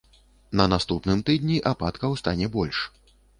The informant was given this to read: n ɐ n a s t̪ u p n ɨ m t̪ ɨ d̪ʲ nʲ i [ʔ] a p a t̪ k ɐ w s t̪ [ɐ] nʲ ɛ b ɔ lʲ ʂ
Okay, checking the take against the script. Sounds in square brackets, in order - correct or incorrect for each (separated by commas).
correct, incorrect